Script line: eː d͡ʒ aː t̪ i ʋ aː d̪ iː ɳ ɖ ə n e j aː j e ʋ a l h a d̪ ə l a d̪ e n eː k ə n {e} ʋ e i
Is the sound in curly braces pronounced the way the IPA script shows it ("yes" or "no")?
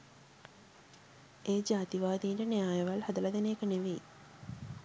yes